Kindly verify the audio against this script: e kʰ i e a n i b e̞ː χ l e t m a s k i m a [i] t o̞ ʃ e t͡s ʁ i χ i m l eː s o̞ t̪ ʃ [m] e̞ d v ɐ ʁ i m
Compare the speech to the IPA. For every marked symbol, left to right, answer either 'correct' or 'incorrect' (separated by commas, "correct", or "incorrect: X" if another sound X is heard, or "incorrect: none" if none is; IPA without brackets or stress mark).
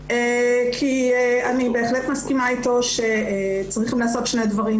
correct, incorrect: n